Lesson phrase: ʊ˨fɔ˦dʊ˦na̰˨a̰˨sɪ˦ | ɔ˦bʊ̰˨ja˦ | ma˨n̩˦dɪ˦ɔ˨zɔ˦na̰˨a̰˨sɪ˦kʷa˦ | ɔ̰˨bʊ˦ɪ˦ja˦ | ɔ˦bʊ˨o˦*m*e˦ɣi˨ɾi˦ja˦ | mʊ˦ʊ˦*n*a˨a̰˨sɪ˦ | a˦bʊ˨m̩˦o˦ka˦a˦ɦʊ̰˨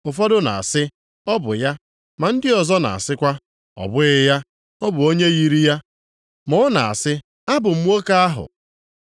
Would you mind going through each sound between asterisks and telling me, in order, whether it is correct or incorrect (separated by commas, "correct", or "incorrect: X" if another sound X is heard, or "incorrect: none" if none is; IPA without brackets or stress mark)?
incorrect: ɲ, correct